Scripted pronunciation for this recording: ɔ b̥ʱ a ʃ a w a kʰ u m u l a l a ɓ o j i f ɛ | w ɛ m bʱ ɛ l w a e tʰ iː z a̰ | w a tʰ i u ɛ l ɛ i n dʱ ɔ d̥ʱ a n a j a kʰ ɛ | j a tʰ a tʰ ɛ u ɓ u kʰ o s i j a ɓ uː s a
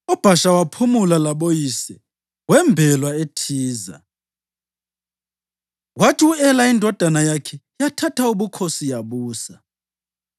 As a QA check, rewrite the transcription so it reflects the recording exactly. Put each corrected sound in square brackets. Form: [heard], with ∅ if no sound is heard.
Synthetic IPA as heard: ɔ b̥ʱ a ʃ a w a [pʰ] u m u l a l a ɓ o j i [s] ɛ | w ɛ m bʱ ɛ l w a e tʰ iː z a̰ | w a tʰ i u ɛ l [a] i n dʱ ɔ d̥ʱ a n a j a kʰ ɛ | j a tʰ a tʰ [a] u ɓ u kʰ o s i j a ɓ uː s a